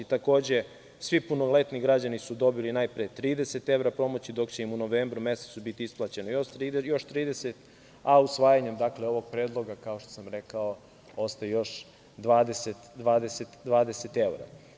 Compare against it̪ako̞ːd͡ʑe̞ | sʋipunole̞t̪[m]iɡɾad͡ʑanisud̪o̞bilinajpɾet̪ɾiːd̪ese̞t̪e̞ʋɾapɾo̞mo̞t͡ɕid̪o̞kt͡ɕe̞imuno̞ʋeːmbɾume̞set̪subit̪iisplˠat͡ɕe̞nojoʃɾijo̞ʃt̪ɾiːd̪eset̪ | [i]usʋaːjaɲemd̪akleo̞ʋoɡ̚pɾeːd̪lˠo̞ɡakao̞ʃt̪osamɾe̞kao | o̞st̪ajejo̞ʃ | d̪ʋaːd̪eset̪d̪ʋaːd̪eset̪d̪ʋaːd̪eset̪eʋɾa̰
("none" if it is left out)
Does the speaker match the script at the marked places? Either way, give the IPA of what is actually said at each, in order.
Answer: n, a

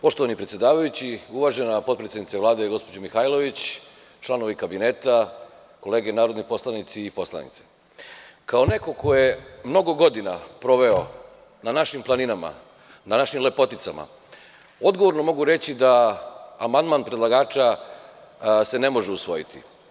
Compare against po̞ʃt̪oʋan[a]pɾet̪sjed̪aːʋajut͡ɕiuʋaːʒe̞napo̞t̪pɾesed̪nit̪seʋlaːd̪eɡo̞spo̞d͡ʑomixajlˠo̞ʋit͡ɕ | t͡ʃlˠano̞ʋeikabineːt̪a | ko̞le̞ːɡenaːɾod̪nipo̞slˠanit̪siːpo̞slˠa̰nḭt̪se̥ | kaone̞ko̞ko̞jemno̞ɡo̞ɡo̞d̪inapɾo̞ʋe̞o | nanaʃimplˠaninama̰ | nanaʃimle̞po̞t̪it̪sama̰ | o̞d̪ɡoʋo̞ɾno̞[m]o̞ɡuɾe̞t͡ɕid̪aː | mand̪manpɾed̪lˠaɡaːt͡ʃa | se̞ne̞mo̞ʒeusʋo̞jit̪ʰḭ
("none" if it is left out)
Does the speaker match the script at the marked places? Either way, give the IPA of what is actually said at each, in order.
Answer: i, m

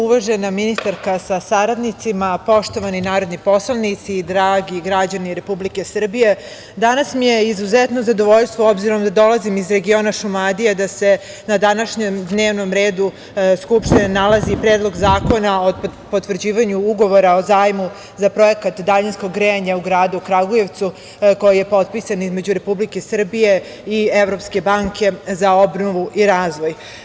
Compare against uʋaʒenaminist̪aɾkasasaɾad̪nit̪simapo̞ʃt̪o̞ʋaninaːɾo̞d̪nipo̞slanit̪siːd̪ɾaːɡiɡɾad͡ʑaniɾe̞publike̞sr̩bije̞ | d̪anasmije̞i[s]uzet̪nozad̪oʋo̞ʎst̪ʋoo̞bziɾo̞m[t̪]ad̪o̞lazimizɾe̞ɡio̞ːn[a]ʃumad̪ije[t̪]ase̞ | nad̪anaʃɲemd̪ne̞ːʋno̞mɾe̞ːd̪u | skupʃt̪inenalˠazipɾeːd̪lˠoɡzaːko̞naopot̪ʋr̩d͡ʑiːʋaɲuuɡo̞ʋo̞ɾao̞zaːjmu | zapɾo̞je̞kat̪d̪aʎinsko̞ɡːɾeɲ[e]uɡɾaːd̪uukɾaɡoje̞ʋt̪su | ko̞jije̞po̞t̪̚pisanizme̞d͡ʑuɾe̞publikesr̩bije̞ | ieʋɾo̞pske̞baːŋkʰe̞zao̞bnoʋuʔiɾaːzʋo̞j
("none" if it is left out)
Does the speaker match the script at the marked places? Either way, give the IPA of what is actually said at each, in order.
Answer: z, d̪, a, d̪, a

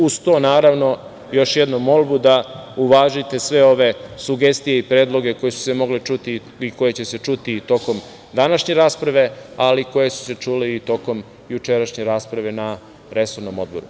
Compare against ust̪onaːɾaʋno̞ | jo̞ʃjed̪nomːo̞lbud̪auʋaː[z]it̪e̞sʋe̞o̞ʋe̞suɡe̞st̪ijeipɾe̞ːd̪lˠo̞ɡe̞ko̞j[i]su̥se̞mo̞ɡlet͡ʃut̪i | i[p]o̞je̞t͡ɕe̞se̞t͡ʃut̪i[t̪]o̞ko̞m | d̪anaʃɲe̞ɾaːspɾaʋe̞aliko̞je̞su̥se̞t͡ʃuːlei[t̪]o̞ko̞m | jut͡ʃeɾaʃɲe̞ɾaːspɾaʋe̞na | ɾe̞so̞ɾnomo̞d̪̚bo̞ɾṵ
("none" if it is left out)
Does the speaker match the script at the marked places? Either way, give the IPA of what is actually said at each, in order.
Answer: ʒ, e, k, t̪, t̪

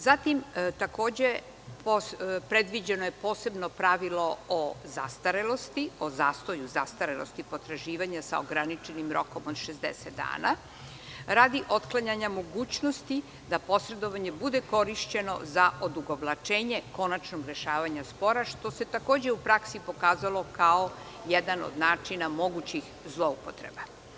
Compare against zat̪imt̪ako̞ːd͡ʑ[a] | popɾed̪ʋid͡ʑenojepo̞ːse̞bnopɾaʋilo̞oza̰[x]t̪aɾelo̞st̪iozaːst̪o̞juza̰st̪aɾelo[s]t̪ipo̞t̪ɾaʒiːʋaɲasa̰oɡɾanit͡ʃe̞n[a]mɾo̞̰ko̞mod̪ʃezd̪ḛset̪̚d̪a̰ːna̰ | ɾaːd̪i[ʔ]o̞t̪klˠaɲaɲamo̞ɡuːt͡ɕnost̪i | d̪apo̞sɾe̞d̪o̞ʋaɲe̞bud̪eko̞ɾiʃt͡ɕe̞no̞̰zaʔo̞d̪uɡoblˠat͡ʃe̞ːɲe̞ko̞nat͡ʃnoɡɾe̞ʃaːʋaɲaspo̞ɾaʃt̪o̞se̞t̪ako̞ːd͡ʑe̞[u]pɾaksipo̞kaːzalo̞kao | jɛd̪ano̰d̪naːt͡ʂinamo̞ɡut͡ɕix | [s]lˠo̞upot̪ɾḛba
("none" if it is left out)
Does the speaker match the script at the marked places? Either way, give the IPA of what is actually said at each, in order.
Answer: e, s, s, i, ʔ, u, z

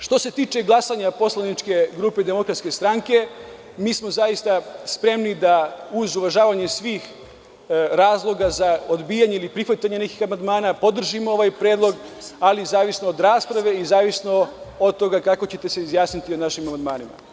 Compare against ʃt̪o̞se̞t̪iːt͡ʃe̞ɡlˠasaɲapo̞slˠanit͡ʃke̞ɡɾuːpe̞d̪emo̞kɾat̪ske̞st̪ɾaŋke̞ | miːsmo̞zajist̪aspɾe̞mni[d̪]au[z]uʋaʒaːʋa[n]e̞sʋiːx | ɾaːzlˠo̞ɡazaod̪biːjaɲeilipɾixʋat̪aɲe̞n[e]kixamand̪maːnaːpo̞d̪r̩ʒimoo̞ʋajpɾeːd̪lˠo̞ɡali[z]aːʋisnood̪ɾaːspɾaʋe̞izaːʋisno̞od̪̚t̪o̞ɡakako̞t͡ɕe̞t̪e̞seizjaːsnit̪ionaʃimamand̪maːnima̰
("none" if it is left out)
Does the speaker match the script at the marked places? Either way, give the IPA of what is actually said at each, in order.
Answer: d̪, z, ɲ, e, z

